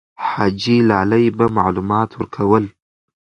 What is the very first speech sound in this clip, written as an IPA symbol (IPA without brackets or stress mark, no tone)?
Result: ħ